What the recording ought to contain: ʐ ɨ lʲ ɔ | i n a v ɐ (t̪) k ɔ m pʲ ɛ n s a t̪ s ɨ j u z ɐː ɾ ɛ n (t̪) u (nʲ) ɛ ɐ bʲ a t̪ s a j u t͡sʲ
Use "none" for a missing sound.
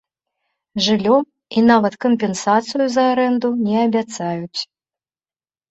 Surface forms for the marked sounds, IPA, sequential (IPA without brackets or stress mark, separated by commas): t̪, d̪, nʲ